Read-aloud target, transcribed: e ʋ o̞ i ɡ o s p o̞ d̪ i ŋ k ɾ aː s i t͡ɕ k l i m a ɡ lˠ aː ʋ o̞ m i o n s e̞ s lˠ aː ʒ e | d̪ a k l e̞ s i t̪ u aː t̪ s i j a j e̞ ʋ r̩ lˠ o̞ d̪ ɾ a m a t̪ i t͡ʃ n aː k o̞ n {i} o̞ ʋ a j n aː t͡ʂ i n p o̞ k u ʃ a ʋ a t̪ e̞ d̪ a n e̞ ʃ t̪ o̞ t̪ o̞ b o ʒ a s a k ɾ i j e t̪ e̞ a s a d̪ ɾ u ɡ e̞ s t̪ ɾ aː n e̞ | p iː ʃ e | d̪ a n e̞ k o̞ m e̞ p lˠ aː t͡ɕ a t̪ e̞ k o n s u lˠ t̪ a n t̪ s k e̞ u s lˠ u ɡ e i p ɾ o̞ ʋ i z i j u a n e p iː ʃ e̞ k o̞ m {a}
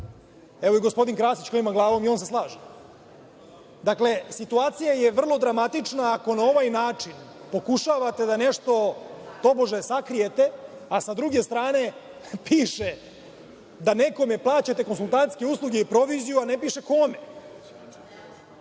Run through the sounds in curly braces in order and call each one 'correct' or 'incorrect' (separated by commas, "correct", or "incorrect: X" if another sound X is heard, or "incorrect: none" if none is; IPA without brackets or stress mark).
incorrect: a, incorrect: e